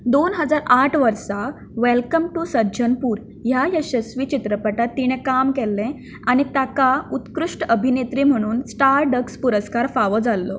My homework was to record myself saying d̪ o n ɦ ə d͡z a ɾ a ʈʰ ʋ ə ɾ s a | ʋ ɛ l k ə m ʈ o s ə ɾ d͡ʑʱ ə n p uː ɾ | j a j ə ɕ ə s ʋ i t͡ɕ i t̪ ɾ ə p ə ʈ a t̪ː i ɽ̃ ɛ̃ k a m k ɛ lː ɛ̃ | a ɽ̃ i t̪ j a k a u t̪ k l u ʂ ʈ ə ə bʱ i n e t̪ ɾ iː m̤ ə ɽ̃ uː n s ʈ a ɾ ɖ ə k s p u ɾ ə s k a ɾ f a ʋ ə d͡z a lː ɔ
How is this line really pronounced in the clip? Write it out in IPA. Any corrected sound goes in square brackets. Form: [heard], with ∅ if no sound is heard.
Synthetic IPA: d̪ o n ɦ ə d͡z a ɾ a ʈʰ ʋ ə ɾ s a | ʋ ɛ l k ə m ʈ [u] s ə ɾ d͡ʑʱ ə n p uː ɾ | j a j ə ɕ ə s ʋ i t͡ɕ i t̪ ɾ ə p ə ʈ a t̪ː i ɽ̃ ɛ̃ k a m k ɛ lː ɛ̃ | a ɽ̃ i t̪ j a k a u t̪ k [ɾ] u ʂ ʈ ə ə bʱ i n e t̪ ɾ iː m̤ ə ɽ̃ uː n s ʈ a ɾ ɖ ə k s p u ɾ ə s k a ɾ f a ʋ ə d͡z a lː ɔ